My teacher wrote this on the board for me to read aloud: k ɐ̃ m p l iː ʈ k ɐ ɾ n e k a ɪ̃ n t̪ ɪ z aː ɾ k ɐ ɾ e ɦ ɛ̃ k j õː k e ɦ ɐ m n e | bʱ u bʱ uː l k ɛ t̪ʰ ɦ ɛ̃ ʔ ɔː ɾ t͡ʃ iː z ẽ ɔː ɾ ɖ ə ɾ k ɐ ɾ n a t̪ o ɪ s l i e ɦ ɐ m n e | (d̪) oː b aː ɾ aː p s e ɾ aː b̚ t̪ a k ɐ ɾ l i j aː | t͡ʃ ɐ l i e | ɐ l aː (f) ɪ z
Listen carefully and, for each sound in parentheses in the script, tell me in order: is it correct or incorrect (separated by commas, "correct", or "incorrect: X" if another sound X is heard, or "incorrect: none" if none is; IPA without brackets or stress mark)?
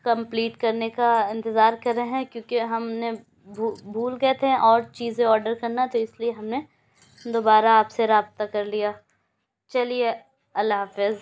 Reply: correct, correct